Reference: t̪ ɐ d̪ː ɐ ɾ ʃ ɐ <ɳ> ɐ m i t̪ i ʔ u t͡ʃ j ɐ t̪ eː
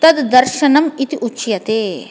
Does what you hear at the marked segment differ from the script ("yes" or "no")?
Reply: yes